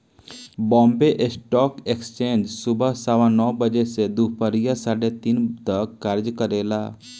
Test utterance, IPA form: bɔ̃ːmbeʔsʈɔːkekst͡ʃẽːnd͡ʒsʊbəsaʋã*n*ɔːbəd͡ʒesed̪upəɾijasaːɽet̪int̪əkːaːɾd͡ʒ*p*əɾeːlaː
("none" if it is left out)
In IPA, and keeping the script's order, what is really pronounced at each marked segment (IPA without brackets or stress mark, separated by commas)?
n, k